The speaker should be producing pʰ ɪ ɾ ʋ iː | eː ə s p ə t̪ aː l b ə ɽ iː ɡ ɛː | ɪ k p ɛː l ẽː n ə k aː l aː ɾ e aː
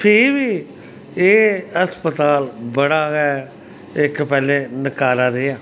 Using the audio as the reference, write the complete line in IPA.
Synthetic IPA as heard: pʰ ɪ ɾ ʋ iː | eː ə s p ə t̪ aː l b ə ɽ aː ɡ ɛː | ɪ k p ɛː l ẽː n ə k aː ɾ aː ɾ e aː